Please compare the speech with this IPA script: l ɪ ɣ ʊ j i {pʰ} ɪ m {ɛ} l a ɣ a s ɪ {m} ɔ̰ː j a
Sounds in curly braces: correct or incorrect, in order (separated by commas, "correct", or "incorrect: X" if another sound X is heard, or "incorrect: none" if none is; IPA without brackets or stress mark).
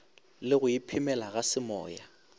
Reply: correct, correct, correct